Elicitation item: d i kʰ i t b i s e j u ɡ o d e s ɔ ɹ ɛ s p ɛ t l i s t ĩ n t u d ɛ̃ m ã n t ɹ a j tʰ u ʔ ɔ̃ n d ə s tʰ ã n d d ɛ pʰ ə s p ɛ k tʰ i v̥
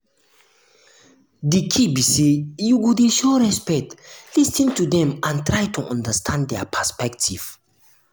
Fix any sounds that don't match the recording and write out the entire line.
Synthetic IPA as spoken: d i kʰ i b i s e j u ɡ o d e ʃ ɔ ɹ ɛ s p ɛ t l i s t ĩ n t u d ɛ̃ m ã n t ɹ a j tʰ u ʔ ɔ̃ n d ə s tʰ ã n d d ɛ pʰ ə s p ɛ k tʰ i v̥

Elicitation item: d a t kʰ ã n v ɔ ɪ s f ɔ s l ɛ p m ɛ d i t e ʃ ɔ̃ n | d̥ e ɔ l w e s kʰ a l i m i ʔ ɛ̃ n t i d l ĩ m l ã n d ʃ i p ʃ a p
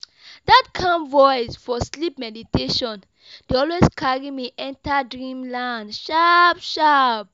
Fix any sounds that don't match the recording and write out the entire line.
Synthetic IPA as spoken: d a t kʰ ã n v ɔ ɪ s f ɔ s l i p m ɛ d i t e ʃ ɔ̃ n | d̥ e ɔ l w e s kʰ a ɹ i m i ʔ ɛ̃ n t a d ɹ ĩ m l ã n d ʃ a p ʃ a p

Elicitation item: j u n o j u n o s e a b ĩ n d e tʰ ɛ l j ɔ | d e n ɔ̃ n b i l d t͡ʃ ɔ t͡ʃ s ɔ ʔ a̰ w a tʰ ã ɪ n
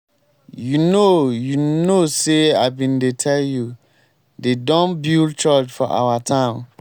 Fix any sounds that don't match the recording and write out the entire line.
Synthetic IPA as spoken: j u n o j u n o s e a b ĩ n d e tʰ ɛ l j u | d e d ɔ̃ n b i l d t͡ʃ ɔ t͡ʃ f ɔ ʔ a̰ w a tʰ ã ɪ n

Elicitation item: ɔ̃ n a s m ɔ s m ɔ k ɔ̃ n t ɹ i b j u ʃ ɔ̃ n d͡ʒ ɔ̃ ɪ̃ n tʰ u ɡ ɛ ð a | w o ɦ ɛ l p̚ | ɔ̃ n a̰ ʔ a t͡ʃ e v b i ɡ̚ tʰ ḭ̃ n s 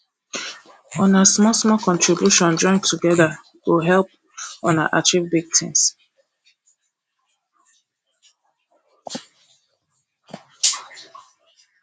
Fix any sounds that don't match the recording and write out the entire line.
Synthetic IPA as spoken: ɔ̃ n a s m ɔ s m ɔ k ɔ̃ n t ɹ i b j u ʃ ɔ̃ n d͡ʒ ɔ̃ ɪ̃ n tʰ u ɡ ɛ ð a | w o ɦ ɛ l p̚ | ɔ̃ n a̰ ʔ a t͡ʃ i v b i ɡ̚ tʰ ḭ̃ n s

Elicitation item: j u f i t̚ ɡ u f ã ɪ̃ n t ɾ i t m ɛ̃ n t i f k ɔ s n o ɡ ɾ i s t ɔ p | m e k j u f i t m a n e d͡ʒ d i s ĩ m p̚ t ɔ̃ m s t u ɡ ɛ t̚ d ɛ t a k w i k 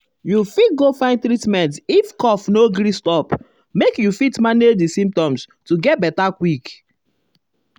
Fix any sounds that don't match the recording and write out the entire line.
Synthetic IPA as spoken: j u f i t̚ ɡ o f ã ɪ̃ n t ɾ i t m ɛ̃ n t i f k ɔ f n o ɡ ɾ i s t ɔ p | m e k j u f i t m a n e d͡ʒ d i s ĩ m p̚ t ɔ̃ m s t u ɡ ɛ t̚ b ɛ t a k w i k

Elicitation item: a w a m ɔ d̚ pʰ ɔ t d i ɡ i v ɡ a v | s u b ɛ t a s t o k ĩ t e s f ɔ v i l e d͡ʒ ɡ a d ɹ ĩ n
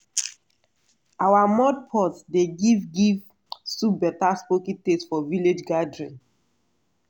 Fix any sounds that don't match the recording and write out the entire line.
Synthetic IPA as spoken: a w a m ɔ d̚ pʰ ɔ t d e ɡ i v ɡ i v | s u b ɛ t a s p o k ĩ t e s f ɔ v i l e d͡ʒ ɡ a d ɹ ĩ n

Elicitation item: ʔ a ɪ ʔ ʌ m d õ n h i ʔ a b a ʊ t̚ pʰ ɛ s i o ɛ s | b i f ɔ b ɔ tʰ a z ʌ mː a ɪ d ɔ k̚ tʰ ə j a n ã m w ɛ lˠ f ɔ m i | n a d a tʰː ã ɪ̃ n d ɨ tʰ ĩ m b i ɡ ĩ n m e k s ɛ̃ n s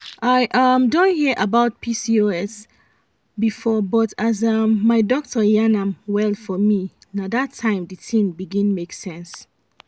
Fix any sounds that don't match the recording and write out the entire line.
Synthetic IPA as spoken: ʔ a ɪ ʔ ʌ m d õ n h i ʔ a b a ʊ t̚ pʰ i s i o ɛ s | b i f ɔ b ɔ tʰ a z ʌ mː a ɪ d ɔ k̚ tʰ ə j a n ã m w ɛ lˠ f ɔ m i | n a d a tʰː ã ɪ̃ m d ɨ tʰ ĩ m b i ɡ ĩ n m e k s ɛ̃ n s

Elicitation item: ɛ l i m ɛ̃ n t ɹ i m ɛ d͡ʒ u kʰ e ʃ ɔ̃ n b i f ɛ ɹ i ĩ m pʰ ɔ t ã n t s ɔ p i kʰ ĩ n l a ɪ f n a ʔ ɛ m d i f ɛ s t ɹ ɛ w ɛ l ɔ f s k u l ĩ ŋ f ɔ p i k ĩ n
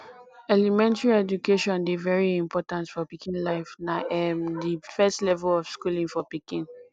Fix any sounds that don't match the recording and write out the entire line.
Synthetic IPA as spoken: ɛ l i m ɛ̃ n t ɹ i ɛ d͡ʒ u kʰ e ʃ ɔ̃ n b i v ɛ ɹ i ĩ m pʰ ɔ t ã n t f ɔ p i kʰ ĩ n l a ɪ f n a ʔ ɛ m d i f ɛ s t l ɛ v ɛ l ɔ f s k u l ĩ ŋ f ɔ p i k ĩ n

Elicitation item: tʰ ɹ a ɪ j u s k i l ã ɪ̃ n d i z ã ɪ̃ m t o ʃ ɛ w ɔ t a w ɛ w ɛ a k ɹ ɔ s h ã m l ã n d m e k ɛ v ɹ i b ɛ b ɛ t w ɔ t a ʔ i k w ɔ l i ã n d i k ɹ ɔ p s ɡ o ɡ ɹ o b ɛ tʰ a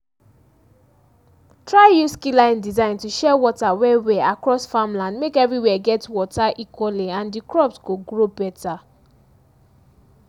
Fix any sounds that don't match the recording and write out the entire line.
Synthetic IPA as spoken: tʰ ɹ a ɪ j u s k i l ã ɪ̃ n d i z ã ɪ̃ n t u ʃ ɛ w ɔ t a w ɛ w ɛ a k ɹ ɔ s f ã m l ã n d m e k ɛ v ɹ i w ɛ ɡ ɛ t w ɔ t a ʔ i k w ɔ l i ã n d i k ɹ ɔ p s ɡ o ɡ ɹ o b ɛ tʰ a

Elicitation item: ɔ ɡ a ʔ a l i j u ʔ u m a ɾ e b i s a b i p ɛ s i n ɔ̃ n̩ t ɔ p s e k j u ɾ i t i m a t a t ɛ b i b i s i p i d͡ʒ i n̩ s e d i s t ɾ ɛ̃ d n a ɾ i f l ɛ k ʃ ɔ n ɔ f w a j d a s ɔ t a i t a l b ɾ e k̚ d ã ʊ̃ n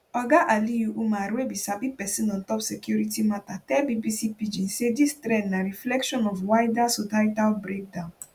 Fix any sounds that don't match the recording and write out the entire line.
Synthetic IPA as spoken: ɔ ɡ a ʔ a l i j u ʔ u m a ɾ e b i s a b i p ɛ s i n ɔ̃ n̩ t ɔ p s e k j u ɾ i t i m a t a t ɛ b i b i s i p i d͡ʒ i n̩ s e d i s t ɾ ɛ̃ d n a ɾ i f l ɛ k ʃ ɔ n ɔ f w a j d a s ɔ t a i t a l b ɾ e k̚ d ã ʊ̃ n

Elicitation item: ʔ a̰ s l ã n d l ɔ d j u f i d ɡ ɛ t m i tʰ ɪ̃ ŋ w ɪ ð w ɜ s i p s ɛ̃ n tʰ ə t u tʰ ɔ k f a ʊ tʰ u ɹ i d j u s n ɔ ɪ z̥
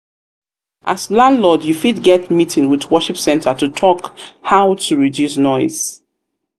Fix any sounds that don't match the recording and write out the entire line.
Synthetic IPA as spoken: ʔ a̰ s l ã n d l ɔ d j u f i d ɡ ɛ t m i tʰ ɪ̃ ŋ w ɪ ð w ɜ ʃ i p s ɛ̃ n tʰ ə t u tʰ ɔ k h a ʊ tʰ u ɹ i d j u s n ɔ ɪ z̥

